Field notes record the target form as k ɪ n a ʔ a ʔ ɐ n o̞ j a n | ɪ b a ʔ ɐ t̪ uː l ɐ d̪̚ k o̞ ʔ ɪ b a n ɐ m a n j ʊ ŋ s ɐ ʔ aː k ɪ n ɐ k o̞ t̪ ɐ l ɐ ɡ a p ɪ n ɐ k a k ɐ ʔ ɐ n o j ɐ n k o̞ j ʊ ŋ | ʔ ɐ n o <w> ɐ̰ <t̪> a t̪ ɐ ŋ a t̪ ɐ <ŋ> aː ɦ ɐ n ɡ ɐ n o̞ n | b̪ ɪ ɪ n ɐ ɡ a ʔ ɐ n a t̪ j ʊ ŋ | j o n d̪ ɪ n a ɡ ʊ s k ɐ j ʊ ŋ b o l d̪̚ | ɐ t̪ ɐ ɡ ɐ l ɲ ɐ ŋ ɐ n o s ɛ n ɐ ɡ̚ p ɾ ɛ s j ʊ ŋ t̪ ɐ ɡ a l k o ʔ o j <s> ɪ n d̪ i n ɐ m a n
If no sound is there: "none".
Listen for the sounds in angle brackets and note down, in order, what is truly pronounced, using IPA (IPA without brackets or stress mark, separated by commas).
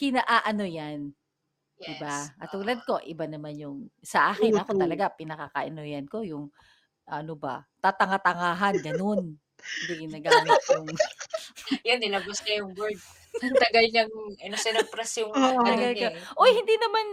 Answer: b, t̪, ŋ, h